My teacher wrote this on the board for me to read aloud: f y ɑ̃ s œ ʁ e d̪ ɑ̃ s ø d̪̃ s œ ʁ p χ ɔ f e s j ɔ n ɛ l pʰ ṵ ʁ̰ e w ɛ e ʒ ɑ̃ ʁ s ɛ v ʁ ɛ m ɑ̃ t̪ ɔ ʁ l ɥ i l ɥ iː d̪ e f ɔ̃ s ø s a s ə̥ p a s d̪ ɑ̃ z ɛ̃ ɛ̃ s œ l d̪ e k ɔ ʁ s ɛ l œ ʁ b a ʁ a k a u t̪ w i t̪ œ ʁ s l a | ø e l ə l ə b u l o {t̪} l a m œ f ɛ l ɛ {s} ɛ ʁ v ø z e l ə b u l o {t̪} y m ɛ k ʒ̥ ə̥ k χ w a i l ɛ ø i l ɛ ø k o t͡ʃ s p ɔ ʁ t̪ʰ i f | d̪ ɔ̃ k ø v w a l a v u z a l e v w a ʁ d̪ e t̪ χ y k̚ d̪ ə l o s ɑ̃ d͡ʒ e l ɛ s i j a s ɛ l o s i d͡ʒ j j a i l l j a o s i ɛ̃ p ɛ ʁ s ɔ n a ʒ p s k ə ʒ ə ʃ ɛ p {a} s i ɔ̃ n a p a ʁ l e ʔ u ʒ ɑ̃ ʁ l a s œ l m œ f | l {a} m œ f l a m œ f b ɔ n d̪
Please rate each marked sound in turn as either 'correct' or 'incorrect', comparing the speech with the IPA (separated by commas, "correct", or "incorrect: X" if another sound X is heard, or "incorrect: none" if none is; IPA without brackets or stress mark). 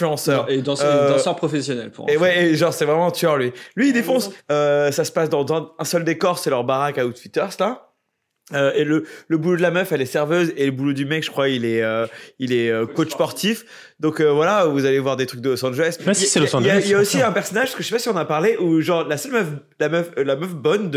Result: incorrect: d̪, correct, incorrect: d̪, correct, correct